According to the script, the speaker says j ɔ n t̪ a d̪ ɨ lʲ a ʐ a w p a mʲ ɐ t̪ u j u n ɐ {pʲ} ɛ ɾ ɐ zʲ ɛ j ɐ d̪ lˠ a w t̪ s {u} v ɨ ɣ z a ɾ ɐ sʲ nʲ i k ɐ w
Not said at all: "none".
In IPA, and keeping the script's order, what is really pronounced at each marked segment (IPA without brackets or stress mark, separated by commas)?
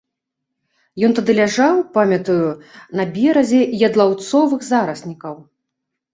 bʲ, ɔ